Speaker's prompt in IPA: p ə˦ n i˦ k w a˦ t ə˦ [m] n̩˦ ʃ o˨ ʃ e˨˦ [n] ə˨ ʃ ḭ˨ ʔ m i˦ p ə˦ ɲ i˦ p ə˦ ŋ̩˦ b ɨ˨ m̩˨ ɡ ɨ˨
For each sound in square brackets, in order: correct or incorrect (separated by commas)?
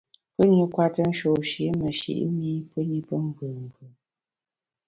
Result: incorrect, incorrect